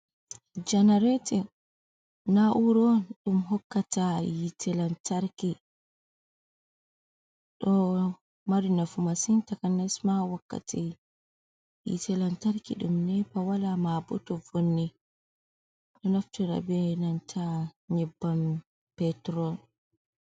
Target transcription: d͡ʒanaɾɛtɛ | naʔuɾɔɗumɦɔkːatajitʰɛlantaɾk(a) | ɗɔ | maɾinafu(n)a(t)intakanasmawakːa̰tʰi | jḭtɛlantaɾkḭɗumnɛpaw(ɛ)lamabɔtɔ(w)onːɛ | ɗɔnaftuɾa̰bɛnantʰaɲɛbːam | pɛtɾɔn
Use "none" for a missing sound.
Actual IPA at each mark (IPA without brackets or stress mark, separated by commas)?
i, m, s, a, v